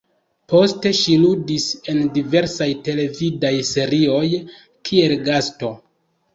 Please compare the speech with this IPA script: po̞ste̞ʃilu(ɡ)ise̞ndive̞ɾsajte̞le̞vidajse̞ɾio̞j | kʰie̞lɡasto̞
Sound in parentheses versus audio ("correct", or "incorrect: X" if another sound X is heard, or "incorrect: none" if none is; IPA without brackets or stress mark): incorrect: d